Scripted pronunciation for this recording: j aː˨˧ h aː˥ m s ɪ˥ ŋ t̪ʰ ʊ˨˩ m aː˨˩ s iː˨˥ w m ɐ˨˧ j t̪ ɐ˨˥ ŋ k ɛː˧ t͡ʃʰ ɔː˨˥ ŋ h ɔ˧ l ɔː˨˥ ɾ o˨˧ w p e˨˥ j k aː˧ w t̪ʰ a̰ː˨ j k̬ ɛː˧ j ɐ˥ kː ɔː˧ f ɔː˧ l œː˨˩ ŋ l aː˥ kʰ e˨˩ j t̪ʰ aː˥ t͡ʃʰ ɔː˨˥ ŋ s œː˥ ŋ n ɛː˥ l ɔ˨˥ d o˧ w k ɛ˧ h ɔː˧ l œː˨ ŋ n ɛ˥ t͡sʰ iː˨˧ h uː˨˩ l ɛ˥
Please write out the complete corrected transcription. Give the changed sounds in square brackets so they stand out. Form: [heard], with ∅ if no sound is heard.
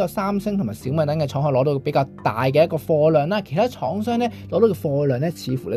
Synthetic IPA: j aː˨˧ [s] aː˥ m s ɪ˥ ŋ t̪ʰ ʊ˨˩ m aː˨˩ s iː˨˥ w m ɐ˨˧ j t̪ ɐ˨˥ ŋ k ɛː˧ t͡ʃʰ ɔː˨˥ ŋ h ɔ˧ l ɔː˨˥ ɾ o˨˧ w p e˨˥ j k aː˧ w [t̪] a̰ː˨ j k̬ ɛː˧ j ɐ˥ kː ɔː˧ f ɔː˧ l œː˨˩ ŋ l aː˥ kʰ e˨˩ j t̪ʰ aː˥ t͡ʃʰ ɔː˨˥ ŋ s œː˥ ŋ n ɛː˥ l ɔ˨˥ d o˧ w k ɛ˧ [f] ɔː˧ l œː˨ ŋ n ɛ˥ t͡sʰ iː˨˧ [f] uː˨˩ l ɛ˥